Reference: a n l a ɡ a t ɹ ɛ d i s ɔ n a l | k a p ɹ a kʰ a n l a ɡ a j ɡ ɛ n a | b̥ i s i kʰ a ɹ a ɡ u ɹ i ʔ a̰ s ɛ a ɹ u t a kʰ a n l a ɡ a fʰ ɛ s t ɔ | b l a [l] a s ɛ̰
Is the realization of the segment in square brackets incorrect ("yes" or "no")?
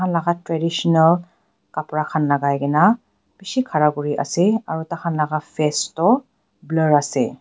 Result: yes